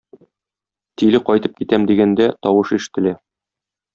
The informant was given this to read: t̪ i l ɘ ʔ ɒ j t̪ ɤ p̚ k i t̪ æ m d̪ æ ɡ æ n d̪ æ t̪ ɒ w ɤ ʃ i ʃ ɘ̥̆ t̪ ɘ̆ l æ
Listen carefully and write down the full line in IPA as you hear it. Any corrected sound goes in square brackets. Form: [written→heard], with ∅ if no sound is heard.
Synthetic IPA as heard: t̪ i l ɘ [ʔ→q] ɒ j t̪ ɤ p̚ k i t̪ æ m d̪ [æ→i] ɡ æ n d̪ æ t̪ ɒ w ɤ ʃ i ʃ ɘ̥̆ t̪ ɘ̆ l æ